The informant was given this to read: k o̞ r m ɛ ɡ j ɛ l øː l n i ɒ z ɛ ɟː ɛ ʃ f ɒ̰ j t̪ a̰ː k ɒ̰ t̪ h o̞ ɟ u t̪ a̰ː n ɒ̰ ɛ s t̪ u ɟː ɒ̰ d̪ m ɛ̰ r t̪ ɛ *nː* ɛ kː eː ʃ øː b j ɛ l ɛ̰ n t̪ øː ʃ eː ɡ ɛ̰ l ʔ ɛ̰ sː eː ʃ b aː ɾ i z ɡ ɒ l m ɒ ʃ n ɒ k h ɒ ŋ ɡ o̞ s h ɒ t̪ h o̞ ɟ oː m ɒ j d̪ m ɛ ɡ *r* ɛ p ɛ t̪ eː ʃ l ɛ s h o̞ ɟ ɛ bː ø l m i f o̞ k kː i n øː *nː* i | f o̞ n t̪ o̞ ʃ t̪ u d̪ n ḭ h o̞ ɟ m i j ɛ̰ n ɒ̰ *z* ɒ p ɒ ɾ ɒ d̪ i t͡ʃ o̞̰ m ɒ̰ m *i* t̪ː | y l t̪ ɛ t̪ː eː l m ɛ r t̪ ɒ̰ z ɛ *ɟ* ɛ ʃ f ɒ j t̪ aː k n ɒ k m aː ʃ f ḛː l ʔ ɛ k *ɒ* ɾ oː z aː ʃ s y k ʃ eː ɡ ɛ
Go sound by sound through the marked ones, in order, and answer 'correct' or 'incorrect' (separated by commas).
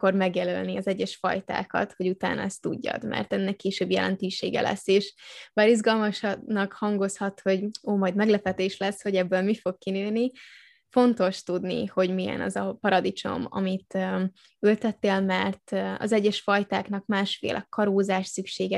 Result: correct, incorrect, incorrect, correct, correct, incorrect, correct